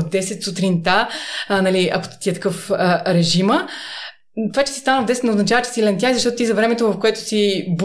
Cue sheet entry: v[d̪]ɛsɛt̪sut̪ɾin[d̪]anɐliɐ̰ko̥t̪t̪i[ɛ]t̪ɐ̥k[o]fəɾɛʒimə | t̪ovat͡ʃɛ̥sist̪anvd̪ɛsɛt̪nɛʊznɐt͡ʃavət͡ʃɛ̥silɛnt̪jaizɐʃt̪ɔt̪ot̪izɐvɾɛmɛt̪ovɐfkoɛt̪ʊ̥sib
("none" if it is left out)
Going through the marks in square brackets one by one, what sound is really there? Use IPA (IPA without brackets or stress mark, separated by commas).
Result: d̪, t̪, ɛ, ɤ